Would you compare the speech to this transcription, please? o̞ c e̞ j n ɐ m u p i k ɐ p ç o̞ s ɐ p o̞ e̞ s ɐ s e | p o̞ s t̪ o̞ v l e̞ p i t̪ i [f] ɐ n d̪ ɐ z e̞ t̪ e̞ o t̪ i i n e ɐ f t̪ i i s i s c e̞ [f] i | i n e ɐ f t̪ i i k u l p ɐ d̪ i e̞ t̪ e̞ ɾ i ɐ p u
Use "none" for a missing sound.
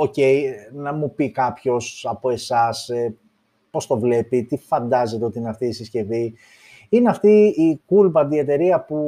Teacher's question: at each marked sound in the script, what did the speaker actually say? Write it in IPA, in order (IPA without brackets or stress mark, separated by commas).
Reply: f, v